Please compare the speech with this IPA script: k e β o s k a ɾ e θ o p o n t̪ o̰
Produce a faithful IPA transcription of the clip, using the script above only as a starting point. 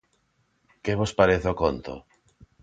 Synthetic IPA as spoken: k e β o s p a ɾ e θ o k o n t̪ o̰